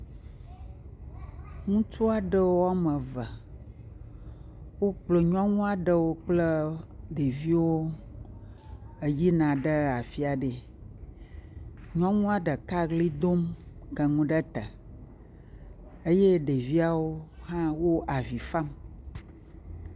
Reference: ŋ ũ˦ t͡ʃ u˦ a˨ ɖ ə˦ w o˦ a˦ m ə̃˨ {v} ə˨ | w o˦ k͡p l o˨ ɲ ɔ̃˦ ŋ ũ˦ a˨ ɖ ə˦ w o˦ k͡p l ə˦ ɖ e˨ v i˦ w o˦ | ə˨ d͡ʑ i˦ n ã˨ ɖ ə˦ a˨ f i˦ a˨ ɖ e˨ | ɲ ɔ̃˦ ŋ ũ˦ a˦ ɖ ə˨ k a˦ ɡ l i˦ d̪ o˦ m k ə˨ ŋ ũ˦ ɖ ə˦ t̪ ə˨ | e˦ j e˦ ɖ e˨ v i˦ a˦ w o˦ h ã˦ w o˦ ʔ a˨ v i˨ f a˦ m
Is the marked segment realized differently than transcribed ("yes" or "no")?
no